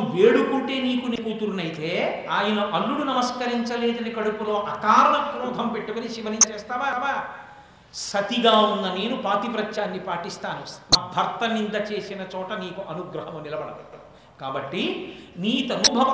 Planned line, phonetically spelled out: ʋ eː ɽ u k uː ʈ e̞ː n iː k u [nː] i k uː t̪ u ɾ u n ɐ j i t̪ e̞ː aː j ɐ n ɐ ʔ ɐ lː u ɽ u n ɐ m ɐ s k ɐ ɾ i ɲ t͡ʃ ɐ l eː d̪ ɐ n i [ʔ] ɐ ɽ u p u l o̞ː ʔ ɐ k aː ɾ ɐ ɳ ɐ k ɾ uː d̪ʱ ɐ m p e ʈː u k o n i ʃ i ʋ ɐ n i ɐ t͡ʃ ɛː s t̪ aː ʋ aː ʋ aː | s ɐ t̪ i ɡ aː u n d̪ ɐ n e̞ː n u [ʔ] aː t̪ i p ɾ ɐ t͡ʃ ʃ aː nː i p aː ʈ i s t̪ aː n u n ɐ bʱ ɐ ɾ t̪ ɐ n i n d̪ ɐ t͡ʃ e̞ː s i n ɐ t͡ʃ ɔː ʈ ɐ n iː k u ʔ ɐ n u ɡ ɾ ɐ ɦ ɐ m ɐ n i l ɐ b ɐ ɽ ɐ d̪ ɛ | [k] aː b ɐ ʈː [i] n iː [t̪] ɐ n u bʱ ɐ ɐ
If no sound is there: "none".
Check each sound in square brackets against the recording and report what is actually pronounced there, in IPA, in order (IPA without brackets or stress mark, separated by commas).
n, k, p, k, i, t̪